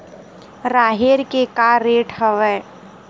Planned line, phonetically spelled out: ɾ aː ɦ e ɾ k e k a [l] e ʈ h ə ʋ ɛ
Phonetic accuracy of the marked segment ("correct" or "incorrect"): incorrect